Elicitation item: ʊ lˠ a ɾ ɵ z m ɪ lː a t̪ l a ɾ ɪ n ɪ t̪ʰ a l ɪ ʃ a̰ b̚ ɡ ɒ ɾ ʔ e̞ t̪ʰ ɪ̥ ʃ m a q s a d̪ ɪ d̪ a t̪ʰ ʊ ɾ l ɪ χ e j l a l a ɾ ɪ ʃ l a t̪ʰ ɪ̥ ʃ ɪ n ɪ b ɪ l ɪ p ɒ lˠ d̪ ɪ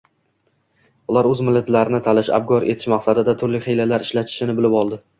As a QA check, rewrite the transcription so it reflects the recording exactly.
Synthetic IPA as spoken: ʊ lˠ a ɾ ɵ z m ɪ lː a t̪ l a ɾ ɪ n ɪ t̪ʰ a l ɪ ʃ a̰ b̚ ɡ ɒ ɾ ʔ e̞ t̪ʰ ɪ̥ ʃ m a q s a d̪ ɪ d̪ a t̪ʰ ʊ ɾ l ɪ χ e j l a l a ɾ ɪ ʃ l a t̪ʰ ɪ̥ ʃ ɪ n ɪ b ɪ l ɪ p ɒ lˠ d̪ ɪ